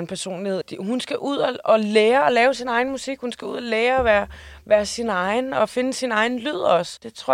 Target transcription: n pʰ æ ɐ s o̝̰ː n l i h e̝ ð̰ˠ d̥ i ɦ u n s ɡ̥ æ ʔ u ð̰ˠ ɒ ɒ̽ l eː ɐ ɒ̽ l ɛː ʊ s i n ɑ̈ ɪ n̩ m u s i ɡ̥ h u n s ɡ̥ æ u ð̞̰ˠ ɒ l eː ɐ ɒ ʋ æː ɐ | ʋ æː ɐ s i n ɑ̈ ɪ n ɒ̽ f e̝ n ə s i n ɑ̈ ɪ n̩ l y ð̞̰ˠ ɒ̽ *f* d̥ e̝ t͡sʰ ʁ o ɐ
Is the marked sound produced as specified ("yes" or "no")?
no